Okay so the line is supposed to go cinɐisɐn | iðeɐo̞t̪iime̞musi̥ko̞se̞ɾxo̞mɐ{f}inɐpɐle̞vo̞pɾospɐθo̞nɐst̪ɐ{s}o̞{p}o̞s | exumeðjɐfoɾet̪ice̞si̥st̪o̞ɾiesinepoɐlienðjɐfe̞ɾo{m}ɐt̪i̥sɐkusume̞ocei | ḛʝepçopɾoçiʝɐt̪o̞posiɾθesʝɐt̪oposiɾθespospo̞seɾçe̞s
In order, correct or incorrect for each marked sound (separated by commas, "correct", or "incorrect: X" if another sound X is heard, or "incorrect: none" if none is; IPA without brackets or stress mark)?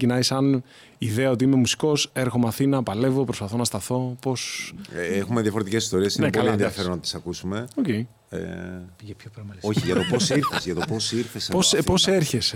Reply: incorrect: θ, incorrect: θ, correct, incorrect: n